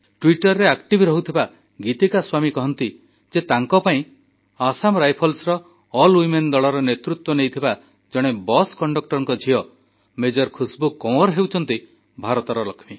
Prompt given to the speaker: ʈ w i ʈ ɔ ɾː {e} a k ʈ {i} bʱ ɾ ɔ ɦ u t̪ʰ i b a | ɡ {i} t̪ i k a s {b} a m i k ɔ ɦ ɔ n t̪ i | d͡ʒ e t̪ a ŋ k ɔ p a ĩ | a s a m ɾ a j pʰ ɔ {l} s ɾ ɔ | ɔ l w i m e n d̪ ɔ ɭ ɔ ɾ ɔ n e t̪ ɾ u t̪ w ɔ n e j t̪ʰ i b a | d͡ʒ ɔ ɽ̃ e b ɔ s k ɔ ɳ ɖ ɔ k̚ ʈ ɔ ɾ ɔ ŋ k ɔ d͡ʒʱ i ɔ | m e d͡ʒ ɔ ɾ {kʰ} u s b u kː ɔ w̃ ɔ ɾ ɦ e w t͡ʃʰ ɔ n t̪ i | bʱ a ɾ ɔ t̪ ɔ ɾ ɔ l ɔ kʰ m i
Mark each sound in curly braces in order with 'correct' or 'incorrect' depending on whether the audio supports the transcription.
correct, correct, correct, incorrect, correct, correct

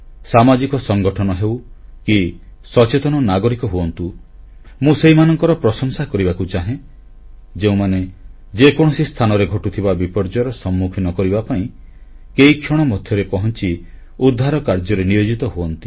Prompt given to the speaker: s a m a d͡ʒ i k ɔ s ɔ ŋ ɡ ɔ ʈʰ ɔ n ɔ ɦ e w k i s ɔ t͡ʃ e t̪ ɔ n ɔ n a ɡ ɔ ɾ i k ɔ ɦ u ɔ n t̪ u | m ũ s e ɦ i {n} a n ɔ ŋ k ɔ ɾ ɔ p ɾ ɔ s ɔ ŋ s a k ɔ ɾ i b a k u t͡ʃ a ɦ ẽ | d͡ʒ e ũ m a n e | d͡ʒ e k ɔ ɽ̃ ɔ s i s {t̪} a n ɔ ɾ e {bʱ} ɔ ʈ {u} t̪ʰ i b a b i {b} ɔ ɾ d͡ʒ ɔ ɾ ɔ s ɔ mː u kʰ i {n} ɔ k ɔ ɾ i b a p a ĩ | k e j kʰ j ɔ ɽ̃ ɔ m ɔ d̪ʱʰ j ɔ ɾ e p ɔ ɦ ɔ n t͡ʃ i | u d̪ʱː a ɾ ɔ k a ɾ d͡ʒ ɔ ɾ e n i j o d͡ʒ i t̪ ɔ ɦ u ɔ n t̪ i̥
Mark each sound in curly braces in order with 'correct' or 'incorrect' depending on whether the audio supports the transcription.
incorrect, incorrect, incorrect, correct, incorrect, correct

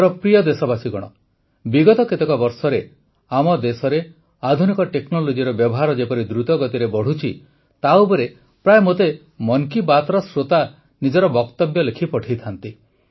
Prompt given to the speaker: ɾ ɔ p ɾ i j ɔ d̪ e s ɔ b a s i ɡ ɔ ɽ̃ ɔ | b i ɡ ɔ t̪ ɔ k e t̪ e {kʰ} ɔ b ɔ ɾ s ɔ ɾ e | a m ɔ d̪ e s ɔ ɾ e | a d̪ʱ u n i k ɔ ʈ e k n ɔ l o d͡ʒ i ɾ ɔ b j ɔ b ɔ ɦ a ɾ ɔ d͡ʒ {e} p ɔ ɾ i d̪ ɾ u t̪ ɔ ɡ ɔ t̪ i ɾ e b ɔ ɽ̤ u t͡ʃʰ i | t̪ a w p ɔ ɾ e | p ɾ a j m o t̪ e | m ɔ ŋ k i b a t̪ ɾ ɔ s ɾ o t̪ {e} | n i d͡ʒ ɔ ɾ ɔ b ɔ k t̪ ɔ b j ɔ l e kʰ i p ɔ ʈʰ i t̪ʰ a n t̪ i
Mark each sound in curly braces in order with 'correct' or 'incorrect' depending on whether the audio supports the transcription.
incorrect, correct, incorrect

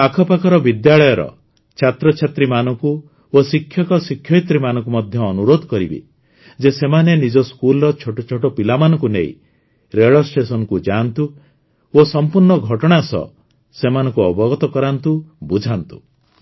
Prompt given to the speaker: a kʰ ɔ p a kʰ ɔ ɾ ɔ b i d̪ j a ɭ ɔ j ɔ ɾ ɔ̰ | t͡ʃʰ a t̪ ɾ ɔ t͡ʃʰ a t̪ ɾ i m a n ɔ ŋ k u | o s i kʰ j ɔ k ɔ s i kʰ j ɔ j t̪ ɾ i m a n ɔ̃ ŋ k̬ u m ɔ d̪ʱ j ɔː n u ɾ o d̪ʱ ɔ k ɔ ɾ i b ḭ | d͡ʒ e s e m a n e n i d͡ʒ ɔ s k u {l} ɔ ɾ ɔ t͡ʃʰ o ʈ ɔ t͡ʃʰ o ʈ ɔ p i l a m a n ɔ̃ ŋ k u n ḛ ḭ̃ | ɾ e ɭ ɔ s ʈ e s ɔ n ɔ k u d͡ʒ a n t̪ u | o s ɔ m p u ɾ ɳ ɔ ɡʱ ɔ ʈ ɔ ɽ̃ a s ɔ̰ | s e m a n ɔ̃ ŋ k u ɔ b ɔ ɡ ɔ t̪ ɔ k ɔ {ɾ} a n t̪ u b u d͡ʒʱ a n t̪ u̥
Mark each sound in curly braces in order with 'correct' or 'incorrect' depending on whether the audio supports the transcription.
correct, correct

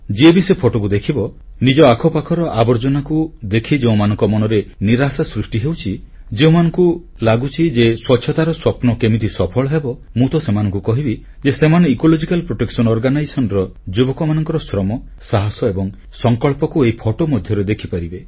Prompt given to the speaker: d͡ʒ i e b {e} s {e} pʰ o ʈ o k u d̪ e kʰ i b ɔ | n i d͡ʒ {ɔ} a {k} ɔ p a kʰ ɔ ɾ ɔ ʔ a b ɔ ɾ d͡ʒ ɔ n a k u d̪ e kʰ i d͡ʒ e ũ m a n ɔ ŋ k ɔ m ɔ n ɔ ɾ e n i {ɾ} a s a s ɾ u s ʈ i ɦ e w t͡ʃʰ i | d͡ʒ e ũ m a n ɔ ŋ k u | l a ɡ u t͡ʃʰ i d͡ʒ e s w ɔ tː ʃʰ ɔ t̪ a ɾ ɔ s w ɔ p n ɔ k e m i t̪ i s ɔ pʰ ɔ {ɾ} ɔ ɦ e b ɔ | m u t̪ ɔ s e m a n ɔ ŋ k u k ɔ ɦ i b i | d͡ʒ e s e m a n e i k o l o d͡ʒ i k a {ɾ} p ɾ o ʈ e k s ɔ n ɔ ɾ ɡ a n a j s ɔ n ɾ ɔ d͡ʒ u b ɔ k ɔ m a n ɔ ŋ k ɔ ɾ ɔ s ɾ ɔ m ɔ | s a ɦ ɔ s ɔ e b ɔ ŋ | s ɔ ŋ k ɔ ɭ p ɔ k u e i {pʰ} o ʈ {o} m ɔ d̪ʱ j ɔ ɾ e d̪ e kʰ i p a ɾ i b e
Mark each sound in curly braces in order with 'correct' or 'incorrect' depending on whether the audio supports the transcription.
incorrect, correct, correct, incorrect, correct, incorrect, incorrect, correct, correct

